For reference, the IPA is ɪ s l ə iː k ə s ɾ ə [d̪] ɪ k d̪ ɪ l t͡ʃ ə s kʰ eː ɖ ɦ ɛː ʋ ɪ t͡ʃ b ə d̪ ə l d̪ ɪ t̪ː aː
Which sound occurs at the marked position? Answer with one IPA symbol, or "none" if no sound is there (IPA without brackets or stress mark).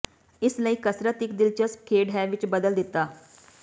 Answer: t̪